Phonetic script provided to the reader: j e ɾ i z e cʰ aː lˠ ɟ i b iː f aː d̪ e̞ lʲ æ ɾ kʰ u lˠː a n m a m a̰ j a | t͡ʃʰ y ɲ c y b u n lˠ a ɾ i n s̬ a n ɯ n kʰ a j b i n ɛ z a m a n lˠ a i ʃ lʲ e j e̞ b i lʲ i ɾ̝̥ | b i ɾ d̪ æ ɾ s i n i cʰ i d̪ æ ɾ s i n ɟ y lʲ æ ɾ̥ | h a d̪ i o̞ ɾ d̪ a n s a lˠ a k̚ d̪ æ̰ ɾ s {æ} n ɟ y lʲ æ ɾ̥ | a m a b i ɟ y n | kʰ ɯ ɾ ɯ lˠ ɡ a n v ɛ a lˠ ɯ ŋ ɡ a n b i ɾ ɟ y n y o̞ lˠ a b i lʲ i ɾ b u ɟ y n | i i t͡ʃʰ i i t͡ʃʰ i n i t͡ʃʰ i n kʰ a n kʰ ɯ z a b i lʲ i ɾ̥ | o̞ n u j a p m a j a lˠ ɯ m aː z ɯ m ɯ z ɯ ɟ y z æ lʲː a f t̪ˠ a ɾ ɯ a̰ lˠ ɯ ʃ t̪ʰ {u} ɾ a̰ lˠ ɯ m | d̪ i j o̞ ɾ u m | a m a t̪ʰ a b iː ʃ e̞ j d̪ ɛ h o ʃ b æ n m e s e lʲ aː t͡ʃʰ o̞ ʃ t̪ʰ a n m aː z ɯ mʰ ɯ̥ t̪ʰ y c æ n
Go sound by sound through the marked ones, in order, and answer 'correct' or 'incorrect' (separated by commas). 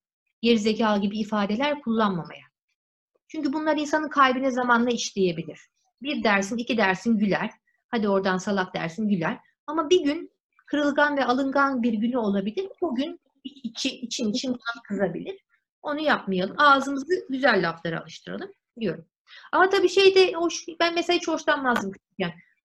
incorrect, incorrect